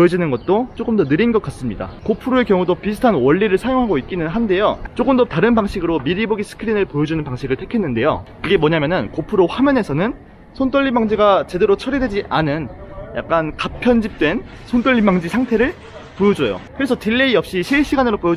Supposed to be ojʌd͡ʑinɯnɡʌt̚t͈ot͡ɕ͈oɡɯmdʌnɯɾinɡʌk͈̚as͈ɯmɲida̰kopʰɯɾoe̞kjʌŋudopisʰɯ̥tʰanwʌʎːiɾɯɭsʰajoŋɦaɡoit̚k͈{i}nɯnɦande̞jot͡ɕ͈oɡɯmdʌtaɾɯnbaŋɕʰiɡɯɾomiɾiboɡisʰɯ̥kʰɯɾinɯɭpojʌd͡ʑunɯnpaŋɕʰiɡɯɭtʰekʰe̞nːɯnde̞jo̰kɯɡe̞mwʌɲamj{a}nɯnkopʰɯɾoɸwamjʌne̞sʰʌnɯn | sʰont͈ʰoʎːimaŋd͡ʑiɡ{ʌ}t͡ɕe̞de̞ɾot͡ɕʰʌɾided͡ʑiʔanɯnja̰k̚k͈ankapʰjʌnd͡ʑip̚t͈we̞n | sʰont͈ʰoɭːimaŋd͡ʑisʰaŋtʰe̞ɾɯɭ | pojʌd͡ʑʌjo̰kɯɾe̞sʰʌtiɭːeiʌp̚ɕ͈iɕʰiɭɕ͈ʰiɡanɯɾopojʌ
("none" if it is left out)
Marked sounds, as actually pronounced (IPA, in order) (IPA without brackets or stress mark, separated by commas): i, ʌ, a